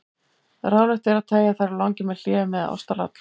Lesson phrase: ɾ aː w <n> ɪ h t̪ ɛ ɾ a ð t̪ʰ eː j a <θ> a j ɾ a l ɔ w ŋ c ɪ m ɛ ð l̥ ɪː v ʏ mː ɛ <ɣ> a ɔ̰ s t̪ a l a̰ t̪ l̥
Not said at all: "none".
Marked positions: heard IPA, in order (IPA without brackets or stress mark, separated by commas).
n, θ, ð